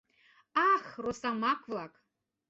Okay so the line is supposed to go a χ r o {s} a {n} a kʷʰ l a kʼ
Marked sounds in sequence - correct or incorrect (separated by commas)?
correct, incorrect